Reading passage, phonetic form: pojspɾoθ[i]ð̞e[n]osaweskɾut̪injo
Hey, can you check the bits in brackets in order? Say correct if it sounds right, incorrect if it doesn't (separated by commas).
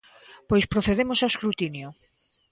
incorrect, incorrect